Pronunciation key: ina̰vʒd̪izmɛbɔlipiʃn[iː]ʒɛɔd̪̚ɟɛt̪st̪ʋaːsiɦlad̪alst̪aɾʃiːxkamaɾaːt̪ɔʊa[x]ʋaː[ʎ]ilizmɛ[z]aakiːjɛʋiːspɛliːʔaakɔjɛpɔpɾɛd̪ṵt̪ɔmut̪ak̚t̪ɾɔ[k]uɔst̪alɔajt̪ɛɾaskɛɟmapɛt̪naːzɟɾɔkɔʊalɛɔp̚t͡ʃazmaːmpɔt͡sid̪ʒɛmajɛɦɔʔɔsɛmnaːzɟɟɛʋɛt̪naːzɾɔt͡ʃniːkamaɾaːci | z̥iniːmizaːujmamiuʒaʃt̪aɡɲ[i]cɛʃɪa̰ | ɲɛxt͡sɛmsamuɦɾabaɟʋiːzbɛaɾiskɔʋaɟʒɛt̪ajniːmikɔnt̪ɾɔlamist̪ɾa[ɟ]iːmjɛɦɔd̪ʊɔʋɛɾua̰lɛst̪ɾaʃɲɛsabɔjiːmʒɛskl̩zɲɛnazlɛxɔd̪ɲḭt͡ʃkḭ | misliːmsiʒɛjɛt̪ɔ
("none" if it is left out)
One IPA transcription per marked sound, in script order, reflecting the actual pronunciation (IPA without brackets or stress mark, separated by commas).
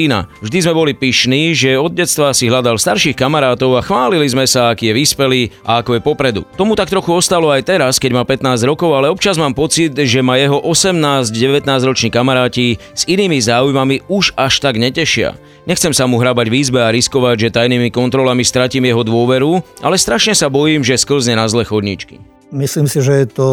iː, x, l, s, x, ɛ, c